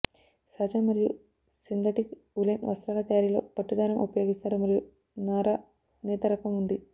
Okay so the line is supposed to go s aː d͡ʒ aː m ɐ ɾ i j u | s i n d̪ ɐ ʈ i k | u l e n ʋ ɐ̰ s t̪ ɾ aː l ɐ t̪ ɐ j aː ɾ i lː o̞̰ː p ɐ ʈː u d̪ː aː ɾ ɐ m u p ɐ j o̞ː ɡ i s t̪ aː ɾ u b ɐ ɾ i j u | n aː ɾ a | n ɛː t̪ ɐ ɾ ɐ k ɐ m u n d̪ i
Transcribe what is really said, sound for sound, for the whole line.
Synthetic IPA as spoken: s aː d͡ʒ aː m ɐ ɾ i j u | s i n d̪ ɐ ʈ i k | u l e n ʋ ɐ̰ s t̪ ɾ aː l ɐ t̪ ɐ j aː ɾ i l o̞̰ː p ɐ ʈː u d̪ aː ɾ ɐ m u p ɐ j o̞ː ɡ i s t̪ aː ɾ u m ɐ ɾ i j u | n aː ɾ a | n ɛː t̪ ɐ ɾ ɐ k ɐ m u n d̪ i